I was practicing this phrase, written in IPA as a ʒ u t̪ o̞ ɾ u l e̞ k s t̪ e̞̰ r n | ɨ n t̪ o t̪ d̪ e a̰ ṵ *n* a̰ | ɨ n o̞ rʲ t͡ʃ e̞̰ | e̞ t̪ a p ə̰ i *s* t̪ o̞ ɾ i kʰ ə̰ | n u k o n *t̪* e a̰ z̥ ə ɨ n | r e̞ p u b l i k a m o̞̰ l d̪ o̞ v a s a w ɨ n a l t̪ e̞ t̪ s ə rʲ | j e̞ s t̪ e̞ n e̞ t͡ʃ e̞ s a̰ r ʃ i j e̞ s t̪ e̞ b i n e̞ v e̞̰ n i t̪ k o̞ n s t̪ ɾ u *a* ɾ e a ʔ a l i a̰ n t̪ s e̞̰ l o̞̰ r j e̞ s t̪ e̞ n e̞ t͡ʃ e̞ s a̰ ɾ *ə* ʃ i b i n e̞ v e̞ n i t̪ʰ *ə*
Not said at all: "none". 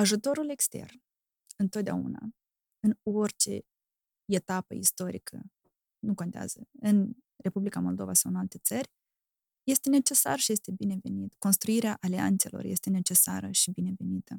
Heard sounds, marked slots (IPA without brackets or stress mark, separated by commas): n, s, t̪, i, ə, ə